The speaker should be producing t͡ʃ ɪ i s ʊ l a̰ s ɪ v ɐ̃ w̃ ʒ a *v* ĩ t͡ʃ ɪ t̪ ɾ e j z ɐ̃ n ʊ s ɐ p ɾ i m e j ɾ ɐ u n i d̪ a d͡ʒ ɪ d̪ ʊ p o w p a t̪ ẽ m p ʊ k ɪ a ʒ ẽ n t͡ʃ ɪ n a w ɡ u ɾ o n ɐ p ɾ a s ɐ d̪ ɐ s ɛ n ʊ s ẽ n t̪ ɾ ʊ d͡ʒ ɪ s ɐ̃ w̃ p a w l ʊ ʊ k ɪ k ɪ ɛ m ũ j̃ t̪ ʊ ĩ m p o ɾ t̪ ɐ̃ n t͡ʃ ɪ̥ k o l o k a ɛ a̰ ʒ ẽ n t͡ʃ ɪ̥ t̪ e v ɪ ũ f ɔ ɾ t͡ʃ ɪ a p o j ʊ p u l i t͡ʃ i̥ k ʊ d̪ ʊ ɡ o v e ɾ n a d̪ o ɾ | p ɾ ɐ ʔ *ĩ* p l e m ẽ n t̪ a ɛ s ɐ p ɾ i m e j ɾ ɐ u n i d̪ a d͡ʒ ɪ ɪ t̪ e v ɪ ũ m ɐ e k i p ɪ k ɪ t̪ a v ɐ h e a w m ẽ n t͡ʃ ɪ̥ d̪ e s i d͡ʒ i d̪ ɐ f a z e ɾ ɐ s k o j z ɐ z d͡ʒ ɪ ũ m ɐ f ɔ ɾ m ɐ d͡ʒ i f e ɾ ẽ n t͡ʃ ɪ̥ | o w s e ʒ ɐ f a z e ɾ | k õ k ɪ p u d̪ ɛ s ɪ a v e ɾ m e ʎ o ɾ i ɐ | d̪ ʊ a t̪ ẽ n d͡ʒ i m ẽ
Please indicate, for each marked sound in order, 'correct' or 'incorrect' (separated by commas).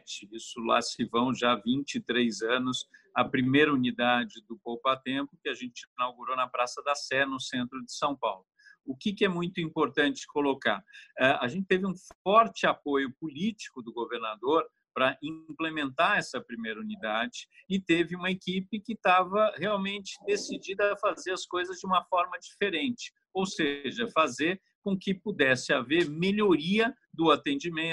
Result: correct, correct